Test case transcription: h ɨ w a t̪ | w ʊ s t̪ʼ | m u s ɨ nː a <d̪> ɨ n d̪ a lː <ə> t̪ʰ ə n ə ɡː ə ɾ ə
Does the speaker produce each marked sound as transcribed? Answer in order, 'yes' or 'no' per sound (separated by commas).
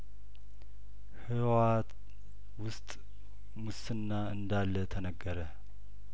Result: no, yes